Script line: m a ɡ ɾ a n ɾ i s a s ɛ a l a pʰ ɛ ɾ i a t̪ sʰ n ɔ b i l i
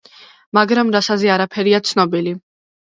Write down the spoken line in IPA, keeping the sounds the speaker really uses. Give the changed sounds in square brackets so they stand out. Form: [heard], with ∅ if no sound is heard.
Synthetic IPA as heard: m a ɡ ɾ a [m] ɾ [a] s a [z] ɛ a [ɾ] a pʰ ɛ ɾ i a t̪ sʰ n ɔ b i l i